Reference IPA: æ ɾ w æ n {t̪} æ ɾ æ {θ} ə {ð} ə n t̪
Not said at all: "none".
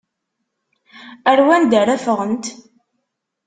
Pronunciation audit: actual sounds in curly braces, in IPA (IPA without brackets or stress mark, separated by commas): d̪, f, ʁ